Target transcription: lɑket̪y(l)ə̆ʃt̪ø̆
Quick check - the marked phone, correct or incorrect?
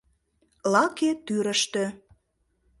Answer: incorrect